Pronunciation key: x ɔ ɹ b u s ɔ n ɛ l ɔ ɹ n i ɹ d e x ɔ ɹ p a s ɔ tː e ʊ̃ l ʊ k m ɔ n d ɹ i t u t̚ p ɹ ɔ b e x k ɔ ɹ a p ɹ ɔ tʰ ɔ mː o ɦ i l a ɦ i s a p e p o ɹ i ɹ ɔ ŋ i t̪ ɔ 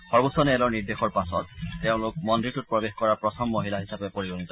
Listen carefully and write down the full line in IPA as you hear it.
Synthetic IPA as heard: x ɔ ɹ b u s ɔ n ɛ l ɔ ɹ n i ɹ d e x ɔ ɹ p a s ɔ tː e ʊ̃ l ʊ k m ɔ n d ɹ i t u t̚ p ɹ ɔ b e x k ɔ ɹ a p ɹ ɔ tʰ ɔ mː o ɦ i l a ɦ i s a p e p o ɹ i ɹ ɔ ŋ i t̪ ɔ